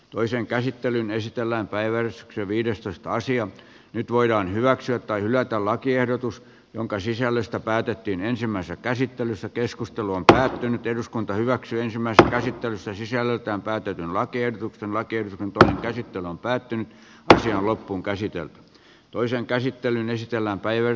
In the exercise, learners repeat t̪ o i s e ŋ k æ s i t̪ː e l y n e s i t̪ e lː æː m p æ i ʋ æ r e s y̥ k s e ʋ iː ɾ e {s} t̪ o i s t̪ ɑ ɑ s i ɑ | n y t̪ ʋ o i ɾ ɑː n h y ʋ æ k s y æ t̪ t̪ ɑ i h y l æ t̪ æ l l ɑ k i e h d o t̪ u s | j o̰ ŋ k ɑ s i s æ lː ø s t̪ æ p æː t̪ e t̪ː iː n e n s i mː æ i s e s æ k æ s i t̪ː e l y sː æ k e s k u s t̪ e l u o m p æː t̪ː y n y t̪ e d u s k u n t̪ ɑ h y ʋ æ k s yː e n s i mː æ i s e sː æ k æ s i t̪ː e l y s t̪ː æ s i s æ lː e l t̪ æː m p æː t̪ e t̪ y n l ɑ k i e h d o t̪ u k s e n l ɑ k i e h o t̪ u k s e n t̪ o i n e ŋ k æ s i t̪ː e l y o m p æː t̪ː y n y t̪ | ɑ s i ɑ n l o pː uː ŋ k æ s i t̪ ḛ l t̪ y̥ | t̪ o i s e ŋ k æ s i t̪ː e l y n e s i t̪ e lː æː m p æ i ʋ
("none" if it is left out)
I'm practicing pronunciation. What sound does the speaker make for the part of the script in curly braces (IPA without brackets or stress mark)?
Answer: s